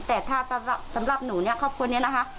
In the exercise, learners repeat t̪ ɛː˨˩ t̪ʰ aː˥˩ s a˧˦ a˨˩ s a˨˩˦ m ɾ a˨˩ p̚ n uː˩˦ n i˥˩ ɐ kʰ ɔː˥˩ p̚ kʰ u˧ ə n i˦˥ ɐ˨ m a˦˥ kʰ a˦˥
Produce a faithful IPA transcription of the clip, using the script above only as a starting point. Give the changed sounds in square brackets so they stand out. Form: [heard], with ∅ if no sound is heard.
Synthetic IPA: t̪ ɛː˨˩ t̪ʰ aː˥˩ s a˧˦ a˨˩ s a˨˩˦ m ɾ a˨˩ p̚ n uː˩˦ n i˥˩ ɐ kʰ ɔː˥˩ p̚ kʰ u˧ ə n i˦˥ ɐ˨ [n] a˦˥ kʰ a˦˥